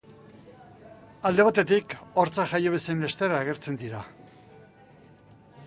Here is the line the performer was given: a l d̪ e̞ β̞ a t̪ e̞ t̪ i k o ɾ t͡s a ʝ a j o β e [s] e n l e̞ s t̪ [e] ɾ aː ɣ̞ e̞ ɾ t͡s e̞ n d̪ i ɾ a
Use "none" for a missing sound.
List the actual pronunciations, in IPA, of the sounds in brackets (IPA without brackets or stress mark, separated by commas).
s, e